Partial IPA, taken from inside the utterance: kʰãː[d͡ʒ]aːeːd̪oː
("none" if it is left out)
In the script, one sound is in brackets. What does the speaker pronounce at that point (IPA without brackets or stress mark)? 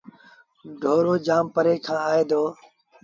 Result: none